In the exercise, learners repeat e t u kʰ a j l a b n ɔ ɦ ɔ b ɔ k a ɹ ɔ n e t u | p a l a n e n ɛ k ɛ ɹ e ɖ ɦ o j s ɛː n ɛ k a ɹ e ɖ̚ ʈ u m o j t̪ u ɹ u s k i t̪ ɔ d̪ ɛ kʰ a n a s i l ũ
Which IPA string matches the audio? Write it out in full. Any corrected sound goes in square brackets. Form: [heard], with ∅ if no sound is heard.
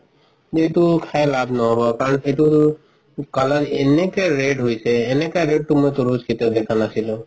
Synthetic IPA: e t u kʰ a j l a b n ɔ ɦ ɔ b ɔ k a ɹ ɔ n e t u | [k] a l a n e n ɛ k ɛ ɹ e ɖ ɦ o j s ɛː n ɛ k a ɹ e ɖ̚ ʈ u m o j t̪ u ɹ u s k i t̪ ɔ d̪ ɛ kʰ a n a s i l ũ